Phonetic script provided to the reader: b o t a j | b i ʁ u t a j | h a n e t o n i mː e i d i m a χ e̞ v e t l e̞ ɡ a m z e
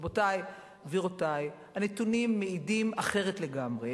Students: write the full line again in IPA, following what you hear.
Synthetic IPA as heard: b o t a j | v i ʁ o t a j | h a n e t u n i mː e i d i m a χ e̞ ʁ e t l e̞ ɡ a m ʁ e